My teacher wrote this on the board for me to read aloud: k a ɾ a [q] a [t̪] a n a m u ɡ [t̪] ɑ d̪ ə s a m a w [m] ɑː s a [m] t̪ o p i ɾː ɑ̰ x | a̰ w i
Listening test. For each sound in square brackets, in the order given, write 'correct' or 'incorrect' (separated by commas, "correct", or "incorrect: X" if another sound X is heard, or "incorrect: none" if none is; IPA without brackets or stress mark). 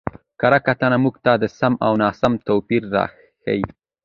incorrect: k, correct, correct, incorrect: n, correct